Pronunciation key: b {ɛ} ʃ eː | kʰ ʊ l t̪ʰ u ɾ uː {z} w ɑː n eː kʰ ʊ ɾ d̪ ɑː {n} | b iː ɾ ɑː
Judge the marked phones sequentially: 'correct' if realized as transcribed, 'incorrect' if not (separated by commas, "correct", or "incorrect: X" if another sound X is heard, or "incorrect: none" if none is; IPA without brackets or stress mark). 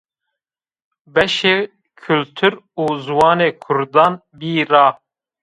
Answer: correct, correct, correct